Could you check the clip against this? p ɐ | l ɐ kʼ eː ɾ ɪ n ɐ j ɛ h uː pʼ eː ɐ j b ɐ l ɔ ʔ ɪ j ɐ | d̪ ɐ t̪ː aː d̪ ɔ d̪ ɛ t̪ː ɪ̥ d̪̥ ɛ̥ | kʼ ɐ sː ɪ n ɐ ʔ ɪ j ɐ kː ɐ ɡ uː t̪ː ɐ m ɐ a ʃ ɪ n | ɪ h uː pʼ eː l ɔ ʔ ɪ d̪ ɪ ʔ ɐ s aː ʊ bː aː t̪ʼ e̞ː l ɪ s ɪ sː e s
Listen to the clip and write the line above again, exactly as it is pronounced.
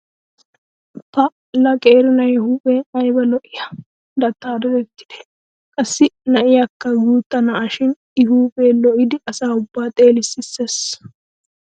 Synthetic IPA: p ɐ | l ɐ kʼ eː ɾ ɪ n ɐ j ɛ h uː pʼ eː ɐ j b ɐ l ɔ ʔ ɪ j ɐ | d̪ ɐ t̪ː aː d̪ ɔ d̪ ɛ t̪ː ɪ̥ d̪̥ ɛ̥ | kʼ ɐ sː ɪ n ɐ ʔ ɪ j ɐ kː ɐ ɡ uː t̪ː ɐ n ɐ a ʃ ɪ n | ɪ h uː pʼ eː l ɔ ʔ ɪ d̪ ɪ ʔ ɐ s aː ʊ bː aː t̪ʼ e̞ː l ɪ s ɪ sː e s